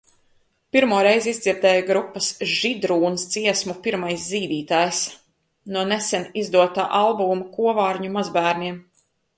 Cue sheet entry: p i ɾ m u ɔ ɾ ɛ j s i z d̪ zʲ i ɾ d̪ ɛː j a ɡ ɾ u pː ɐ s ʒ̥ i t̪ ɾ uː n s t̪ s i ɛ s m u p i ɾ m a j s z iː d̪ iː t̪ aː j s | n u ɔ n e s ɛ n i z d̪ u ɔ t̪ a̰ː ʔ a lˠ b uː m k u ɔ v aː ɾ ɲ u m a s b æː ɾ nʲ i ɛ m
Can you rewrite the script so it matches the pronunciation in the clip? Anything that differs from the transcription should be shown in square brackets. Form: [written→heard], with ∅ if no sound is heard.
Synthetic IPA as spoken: p i ɾ m u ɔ ɾ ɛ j [s→z] i z d̪ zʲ i ɾ d̪ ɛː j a ɡ ɾ u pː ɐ s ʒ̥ i [t̪→d̪] ɾ uː n s t̪ s i ɛ s m u p i ɾ m a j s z iː d̪ iː t̪ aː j s | n u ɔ n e s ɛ n i z d̪ u ɔ t̪ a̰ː ʔ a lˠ b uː m k u ɔ v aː ɾ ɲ u m a [s→z] b æː ɾ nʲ i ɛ m

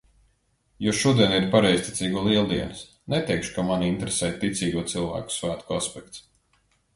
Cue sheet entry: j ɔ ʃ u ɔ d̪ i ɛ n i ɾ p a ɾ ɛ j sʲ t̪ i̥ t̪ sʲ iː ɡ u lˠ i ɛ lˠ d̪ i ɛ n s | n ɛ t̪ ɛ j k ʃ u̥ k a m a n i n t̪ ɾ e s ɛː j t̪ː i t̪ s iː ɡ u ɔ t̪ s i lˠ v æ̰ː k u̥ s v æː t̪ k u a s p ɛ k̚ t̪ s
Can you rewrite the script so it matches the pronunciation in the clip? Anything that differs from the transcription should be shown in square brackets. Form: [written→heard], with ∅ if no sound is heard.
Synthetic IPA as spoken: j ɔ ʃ u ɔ d̪ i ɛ n i ɾ p a ɾ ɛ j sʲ t̪ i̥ t̪ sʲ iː ɡ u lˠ i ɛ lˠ d̪ i ɛ n s | n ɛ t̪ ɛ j k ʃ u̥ k a m a n i n t̪ ɾ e s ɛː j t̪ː i t̪ s iː ɡ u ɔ t̪ s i lˠ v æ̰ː k u̥ s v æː t̪ k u a s p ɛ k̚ t̪ s

